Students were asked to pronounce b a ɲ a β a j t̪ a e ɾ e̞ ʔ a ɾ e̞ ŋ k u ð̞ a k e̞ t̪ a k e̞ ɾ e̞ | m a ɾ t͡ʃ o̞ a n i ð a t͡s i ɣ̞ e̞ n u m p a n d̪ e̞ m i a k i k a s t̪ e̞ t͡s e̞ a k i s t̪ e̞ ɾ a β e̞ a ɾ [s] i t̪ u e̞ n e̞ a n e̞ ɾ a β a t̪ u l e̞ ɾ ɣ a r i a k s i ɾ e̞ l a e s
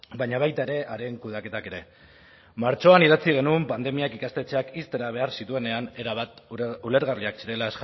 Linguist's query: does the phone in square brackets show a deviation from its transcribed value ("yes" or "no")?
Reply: no